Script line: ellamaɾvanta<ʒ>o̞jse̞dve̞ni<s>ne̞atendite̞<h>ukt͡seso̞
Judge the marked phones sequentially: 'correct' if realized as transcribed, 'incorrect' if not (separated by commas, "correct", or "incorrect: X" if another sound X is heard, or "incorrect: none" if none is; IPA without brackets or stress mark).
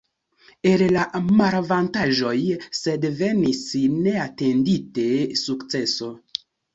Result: correct, correct, incorrect: s